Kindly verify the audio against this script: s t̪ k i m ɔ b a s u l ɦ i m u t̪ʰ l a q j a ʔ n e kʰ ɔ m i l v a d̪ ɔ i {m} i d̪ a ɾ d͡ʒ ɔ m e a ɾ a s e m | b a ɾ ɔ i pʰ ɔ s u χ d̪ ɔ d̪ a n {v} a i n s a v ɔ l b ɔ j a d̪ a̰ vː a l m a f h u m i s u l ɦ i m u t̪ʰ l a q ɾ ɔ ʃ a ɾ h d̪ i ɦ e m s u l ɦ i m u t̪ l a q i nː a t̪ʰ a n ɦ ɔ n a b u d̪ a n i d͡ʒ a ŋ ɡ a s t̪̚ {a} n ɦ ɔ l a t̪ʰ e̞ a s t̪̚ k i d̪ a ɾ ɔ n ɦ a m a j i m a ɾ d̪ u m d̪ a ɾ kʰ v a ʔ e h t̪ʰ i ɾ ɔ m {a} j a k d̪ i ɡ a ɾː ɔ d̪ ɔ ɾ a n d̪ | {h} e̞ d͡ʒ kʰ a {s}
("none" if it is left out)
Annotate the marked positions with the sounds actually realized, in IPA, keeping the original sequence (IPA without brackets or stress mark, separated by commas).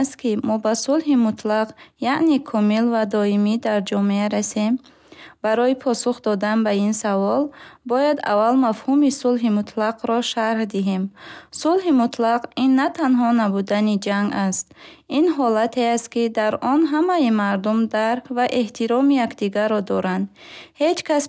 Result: m, b, i, i, h, s